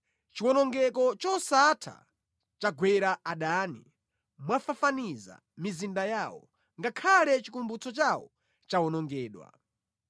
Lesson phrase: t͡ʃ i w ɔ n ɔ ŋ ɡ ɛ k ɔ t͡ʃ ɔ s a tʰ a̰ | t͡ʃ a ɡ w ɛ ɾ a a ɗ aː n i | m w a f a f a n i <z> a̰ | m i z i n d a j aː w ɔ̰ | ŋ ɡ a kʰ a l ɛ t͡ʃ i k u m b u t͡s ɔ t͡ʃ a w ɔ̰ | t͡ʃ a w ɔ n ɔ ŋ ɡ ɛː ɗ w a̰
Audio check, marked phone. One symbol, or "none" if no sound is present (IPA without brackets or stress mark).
z